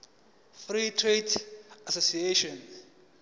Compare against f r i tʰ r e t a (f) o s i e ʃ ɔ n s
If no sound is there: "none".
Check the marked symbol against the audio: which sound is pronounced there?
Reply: s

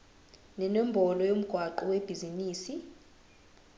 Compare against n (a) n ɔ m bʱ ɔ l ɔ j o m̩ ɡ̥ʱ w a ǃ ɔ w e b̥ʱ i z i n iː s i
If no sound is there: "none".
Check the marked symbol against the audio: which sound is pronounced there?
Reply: ɛ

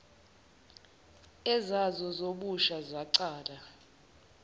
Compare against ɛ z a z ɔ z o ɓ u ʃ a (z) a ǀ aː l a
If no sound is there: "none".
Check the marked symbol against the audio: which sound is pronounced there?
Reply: z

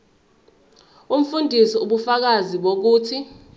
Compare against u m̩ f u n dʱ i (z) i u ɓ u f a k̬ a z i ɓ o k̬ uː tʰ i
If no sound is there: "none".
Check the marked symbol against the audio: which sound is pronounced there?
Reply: s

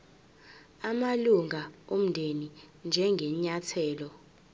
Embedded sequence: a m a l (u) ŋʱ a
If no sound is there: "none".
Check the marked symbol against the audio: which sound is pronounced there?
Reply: u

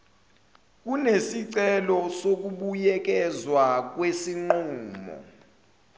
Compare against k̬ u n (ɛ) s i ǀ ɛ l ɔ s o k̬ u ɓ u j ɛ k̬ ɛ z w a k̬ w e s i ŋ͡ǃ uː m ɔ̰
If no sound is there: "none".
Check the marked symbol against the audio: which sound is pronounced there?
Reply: e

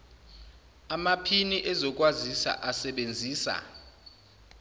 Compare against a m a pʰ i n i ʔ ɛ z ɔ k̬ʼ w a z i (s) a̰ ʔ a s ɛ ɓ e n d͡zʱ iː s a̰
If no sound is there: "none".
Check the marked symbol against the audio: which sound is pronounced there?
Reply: s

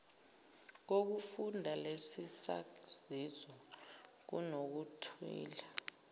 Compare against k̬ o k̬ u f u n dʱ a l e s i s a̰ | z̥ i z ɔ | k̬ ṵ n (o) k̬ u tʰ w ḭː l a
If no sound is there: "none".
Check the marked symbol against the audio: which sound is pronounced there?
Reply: o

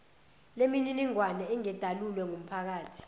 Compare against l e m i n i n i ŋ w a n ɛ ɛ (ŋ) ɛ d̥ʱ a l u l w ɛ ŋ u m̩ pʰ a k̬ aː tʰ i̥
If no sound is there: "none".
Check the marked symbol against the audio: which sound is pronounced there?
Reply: ŋ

